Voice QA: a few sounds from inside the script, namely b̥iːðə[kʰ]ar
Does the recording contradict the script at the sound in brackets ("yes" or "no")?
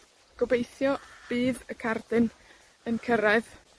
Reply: no